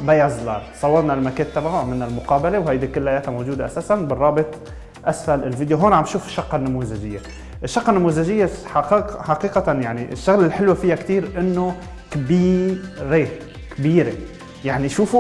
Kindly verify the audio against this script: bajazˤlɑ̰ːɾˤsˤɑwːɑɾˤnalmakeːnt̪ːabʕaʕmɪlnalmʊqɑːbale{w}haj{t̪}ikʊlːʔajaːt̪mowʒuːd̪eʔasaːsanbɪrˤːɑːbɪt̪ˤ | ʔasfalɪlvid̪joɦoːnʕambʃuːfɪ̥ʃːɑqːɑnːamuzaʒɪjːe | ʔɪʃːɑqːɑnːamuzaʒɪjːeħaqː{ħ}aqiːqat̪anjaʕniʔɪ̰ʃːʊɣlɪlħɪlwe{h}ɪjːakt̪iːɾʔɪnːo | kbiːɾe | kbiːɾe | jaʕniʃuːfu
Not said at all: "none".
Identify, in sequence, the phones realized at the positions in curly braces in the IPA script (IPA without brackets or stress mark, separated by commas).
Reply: w, d̪, ħ, f